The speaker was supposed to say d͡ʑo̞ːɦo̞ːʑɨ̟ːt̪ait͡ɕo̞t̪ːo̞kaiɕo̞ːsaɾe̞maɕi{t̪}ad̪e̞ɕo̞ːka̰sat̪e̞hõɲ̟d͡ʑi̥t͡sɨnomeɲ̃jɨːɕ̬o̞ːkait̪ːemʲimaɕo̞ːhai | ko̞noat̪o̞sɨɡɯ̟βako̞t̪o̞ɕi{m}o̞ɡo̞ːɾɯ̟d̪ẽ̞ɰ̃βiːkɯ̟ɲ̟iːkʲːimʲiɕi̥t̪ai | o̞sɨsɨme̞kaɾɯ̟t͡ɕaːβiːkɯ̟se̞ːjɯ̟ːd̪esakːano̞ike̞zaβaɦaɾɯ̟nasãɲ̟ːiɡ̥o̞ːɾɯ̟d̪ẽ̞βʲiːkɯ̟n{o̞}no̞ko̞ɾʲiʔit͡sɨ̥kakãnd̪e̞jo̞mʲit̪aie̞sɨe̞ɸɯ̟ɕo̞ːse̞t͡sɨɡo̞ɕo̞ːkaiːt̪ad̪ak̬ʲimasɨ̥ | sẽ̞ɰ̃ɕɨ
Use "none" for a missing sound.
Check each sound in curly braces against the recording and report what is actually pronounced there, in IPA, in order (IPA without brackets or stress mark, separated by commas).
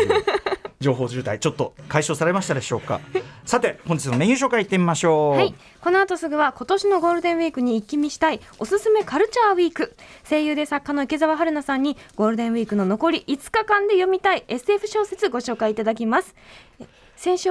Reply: t̪, n, o̞